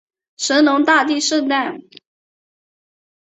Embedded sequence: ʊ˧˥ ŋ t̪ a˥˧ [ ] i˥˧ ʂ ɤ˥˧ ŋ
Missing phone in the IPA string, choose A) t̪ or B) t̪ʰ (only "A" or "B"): A